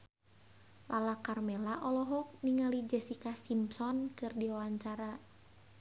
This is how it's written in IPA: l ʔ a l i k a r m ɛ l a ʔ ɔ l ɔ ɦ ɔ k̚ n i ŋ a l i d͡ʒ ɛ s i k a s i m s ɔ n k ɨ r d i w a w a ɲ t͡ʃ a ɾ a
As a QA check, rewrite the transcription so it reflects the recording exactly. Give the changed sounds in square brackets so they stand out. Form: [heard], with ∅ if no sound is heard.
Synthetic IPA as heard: l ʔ a l [a] k a r m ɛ l a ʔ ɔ l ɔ ɦ ɔ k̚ n i ŋ a l i d͡ʒ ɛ s i k a s i m s ɔ n k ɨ r d i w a w a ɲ t͡ʃ a ɾ a